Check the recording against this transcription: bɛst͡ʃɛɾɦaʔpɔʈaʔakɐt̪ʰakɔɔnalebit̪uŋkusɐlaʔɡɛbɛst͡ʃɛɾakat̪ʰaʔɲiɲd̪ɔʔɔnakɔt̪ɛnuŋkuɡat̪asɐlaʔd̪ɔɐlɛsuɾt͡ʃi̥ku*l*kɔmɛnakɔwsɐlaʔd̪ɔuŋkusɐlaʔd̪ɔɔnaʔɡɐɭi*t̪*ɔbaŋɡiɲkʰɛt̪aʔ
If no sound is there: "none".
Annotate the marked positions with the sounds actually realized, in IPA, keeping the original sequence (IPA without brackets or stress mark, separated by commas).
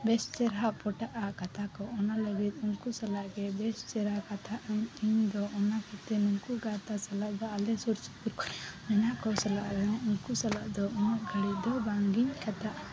ɾ, d̪